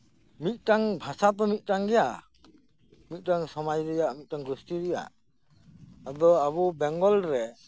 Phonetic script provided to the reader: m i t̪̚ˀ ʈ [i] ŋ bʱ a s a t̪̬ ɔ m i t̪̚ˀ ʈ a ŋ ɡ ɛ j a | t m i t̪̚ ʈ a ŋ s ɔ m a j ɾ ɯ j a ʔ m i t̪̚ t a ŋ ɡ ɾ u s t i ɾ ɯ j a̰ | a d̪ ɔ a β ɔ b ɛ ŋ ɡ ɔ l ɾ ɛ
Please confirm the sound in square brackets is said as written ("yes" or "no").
no